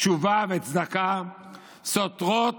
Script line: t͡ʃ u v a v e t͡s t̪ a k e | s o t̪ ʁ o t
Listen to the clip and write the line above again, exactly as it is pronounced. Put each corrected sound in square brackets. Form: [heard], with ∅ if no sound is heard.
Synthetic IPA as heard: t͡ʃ u v a v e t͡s [d̪] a k [a] | s o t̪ ʁ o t